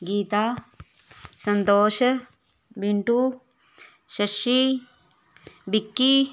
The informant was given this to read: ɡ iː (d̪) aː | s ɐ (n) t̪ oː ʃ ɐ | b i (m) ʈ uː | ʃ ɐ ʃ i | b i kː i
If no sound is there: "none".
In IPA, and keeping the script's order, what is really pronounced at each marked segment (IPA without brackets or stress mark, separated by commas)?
t̪, n, ɳ